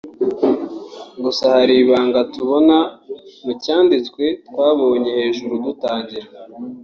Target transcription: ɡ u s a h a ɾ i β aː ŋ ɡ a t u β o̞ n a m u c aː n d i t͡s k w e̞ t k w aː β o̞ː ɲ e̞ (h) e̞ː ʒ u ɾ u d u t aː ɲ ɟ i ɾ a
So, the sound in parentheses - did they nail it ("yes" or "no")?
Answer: yes